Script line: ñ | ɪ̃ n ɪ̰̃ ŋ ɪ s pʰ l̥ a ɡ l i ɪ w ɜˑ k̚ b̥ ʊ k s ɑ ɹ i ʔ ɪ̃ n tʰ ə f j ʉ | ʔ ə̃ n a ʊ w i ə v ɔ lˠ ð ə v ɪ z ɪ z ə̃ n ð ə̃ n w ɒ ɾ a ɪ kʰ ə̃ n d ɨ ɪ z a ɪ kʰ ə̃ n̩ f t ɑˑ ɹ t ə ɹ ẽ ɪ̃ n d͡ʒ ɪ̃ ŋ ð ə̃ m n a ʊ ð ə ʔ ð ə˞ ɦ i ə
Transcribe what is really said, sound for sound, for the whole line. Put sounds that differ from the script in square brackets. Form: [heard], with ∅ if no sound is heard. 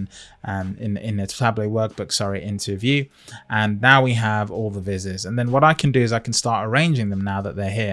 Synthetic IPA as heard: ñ | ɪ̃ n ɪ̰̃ [n] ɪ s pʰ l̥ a [b] l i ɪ w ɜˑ k̚ b̥ ʊ k s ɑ ɹ i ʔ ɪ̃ n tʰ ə [v] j ʉ | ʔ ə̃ [nː] a ʊ w i ə v ɔ lˠ ð ə v ɪ z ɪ z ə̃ n ð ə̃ n w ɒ ɾ a ɪ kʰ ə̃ n d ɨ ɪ z a ɪ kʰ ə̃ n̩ [s] t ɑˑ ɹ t ə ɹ ẽ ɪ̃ n d͡ʒ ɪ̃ ŋ ð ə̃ m n a ʊ ð ə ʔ ð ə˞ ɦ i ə